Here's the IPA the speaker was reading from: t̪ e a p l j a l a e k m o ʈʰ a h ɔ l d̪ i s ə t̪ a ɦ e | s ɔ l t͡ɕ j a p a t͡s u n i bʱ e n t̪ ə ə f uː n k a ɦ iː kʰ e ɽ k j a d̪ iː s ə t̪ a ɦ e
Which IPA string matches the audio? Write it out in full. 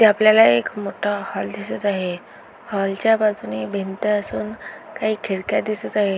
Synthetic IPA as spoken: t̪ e a p l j a l a e k m o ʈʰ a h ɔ l d̪ i s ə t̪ a ɦ e | h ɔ l t͡ɕ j a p a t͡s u n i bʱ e n t̪ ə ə s uː n k a ɦ iː kʰ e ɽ k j a d̪ i s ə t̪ a ɦ e